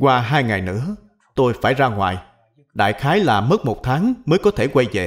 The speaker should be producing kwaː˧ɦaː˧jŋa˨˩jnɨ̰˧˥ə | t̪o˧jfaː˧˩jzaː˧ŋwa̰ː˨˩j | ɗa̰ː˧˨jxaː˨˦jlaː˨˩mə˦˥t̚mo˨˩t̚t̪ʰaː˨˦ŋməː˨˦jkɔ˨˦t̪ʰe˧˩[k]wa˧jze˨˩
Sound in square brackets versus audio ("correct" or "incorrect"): correct